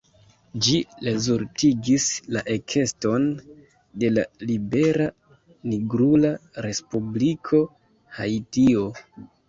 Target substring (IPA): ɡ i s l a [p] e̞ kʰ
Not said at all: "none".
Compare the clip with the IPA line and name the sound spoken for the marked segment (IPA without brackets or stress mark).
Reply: ʔ